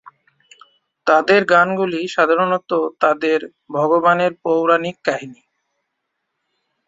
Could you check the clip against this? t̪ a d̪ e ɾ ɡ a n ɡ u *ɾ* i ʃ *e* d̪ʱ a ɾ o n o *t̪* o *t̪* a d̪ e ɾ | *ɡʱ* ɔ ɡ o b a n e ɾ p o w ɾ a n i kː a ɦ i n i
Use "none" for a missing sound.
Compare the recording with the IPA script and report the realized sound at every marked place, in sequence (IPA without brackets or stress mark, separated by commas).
l, a, t̪, t̪, bʱ